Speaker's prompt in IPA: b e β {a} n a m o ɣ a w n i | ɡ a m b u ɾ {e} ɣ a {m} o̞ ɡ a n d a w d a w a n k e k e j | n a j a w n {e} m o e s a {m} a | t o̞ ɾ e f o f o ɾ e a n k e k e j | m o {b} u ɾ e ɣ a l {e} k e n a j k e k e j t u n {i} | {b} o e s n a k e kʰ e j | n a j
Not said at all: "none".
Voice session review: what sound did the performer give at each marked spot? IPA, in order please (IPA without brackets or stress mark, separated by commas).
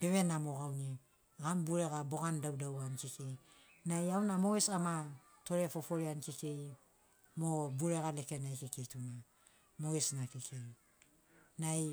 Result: e, e, b, a, m, b, e, a, m